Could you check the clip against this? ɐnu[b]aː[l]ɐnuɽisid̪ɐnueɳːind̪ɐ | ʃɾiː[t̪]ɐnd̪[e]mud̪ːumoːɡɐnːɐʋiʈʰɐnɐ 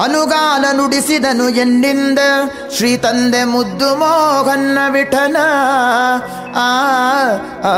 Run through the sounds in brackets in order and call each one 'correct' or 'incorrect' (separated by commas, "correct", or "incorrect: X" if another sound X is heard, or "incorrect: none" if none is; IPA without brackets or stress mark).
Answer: incorrect: ɡ, correct, correct, correct